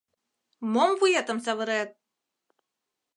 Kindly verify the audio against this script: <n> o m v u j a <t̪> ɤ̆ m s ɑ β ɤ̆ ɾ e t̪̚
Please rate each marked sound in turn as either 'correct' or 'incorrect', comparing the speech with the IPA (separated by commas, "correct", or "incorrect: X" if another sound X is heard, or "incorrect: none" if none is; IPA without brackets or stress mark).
incorrect: m, correct